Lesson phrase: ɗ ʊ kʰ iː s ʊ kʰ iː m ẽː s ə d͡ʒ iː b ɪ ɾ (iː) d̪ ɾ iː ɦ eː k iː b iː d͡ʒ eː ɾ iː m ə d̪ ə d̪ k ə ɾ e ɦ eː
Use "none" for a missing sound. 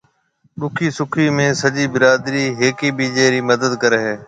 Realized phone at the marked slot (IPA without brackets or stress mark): aː